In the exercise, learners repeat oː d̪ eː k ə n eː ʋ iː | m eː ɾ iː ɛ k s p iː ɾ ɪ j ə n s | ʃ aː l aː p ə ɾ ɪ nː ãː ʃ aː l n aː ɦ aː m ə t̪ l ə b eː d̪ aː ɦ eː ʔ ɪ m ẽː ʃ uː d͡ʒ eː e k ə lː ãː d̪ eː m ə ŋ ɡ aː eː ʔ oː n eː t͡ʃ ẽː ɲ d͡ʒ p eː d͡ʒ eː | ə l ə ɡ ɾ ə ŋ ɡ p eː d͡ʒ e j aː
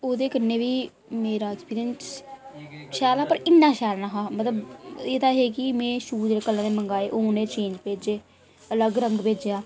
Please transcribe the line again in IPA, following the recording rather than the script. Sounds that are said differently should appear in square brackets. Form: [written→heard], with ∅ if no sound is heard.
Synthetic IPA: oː d̪ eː k ə n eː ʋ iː | m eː ɾ [iː→aː] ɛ k s p iː ɾ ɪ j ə n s | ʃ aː l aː p ə ɾ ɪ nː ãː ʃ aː l n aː ɦ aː m ə t̪ l ə b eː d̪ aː ɦ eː [ʔ→k] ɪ m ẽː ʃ uː d͡ʒ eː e k ə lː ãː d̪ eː m ə ŋ ɡ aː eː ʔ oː n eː t͡ʃ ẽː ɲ d͡ʒ p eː d͡ʒ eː | ə l ə ɡ ɾ ə ŋ ɡ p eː d͡ʒ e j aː